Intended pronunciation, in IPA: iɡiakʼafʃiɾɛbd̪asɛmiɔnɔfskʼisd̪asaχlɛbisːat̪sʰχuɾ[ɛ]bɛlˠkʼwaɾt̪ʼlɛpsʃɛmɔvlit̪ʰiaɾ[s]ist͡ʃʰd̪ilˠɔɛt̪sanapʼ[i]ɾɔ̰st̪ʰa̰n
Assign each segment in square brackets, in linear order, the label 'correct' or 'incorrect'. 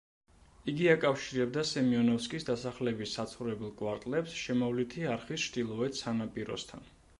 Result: correct, incorrect, correct

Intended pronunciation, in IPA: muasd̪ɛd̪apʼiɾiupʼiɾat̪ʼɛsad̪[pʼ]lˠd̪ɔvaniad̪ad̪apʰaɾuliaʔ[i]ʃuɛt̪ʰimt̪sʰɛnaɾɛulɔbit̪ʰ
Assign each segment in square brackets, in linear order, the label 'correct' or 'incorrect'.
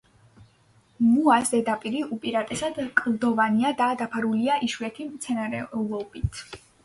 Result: incorrect, correct

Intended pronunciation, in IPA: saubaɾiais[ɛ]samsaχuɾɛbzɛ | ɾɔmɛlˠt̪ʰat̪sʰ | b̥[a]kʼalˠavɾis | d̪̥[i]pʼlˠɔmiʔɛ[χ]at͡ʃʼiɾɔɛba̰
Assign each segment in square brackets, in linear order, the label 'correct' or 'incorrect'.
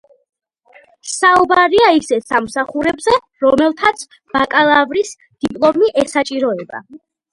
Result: correct, correct, correct, incorrect

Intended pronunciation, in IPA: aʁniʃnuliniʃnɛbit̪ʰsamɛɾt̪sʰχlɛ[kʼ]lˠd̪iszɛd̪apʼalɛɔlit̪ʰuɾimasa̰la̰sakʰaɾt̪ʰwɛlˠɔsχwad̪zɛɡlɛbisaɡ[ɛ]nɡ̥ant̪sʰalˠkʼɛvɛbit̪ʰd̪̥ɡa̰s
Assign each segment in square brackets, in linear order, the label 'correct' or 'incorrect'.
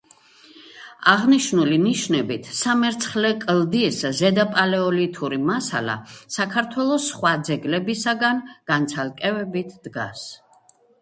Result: correct, incorrect

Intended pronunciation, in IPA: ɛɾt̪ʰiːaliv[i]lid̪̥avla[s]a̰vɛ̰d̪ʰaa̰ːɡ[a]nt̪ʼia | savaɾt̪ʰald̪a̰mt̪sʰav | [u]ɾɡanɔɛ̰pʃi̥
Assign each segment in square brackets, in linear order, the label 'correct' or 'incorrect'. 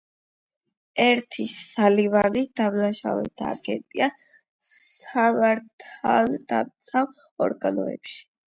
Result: incorrect, incorrect, incorrect, incorrect

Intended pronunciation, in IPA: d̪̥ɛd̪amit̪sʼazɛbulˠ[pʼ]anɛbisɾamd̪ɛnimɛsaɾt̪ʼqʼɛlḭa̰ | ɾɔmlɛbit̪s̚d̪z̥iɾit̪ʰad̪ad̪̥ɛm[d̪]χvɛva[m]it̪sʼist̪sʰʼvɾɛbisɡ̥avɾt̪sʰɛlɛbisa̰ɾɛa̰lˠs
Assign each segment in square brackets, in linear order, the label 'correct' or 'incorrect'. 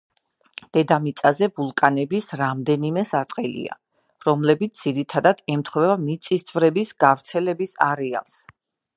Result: incorrect, incorrect, correct

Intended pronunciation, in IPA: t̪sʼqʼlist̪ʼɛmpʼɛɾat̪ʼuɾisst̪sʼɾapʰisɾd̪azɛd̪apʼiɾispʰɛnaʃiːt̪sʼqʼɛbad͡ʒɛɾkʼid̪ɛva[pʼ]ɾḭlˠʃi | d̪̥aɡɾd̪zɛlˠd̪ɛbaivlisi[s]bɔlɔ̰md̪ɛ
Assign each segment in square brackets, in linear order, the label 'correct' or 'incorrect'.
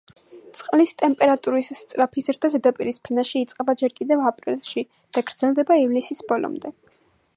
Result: correct, correct

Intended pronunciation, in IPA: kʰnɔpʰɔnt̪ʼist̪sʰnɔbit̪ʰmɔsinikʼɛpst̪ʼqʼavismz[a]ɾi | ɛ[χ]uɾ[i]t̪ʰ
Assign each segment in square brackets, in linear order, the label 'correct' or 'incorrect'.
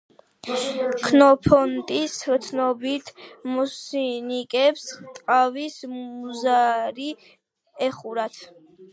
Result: correct, correct, incorrect

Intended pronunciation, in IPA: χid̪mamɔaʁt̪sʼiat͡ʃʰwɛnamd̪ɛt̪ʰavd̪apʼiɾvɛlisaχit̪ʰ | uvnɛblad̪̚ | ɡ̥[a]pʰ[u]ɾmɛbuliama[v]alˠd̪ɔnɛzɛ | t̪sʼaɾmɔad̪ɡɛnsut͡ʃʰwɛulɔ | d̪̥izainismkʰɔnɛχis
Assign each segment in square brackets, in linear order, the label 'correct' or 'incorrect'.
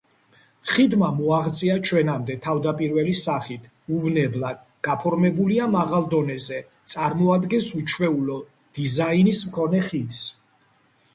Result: correct, incorrect, incorrect

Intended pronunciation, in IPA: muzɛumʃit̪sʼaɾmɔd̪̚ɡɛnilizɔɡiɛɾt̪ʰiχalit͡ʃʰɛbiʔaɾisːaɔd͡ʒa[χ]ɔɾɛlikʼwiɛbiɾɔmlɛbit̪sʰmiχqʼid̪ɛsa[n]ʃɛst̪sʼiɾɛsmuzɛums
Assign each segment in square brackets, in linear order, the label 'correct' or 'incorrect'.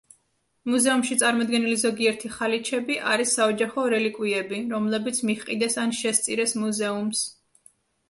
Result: correct, correct

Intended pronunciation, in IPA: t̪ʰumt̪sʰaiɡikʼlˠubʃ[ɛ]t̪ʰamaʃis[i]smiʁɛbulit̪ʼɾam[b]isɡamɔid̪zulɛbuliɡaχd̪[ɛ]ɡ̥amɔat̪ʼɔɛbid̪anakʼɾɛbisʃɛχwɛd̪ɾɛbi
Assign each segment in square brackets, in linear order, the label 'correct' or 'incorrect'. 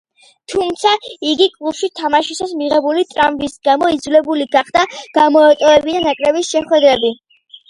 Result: incorrect, incorrect, correct, incorrect

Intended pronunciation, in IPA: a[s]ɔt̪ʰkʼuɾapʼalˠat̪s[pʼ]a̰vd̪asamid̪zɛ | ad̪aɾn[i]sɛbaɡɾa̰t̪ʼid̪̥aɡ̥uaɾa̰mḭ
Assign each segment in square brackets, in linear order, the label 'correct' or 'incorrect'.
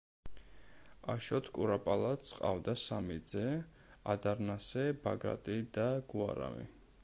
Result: incorrect, incorrect, incorrect

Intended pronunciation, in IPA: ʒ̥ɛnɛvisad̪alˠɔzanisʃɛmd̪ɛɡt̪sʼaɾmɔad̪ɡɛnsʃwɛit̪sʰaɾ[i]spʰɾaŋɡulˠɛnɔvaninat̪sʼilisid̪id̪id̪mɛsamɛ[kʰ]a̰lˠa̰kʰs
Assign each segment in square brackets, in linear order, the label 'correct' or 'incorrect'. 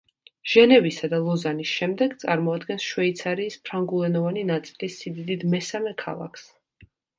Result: incorrect, correct

